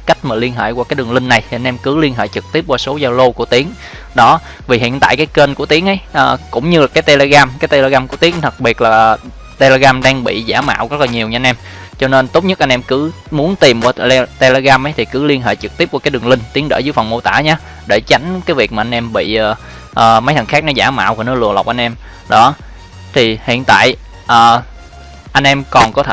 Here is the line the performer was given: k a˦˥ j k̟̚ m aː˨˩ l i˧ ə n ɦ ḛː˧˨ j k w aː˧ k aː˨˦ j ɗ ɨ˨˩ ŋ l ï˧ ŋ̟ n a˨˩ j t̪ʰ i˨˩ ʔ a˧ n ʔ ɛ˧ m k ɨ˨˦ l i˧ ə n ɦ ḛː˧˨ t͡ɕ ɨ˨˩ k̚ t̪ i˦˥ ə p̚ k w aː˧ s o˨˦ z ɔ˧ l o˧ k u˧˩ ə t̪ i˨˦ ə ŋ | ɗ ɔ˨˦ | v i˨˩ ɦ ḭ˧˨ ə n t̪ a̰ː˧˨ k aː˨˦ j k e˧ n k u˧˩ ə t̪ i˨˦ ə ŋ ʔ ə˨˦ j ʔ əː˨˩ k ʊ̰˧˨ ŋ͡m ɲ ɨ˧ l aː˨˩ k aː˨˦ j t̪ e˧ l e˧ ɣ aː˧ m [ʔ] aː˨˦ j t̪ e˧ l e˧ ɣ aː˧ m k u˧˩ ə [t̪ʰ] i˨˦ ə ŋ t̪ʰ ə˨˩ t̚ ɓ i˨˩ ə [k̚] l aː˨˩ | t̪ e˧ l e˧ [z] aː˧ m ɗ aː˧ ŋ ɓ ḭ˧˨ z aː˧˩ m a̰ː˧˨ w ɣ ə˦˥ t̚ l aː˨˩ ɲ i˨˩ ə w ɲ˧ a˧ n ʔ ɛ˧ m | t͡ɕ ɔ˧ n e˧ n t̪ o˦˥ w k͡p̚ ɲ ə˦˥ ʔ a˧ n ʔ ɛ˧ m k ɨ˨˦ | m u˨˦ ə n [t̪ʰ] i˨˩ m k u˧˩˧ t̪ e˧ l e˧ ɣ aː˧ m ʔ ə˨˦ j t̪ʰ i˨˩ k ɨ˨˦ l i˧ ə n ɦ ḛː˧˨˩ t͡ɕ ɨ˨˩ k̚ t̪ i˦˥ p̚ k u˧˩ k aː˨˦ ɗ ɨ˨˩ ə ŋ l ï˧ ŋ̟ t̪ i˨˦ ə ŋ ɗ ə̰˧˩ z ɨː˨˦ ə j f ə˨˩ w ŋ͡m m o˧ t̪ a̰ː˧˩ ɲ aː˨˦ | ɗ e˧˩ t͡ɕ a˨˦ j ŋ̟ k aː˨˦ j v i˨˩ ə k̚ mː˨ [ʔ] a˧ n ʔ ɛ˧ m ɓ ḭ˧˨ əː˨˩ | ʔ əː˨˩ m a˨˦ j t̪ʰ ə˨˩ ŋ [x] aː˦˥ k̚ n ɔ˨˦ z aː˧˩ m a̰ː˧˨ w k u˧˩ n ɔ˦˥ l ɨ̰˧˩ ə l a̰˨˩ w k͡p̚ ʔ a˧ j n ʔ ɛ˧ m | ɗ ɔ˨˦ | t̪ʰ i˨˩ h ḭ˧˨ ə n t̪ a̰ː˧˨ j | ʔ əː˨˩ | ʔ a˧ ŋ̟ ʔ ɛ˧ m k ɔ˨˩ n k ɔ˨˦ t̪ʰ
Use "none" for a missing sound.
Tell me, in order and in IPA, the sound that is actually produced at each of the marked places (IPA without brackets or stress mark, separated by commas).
k, t̪, t̚, ɣ, t̪, ʔ, x